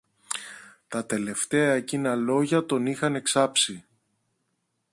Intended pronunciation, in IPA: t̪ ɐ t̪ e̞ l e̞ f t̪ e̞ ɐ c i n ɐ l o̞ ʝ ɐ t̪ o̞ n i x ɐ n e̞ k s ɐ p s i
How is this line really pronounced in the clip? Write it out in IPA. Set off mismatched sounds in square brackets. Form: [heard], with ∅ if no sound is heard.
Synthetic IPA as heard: t̪ ɐ t̪ e̞ l e̞ f t̪ e̞ ɐ c i n ɐ l o̞ ʝ ɐ t̪ o̞ n i x ɐ n e̞ k s ɐ p s i